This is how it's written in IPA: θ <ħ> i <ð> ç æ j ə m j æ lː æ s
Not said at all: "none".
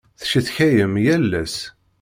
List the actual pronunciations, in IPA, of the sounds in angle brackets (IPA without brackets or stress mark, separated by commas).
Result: ʃ, θ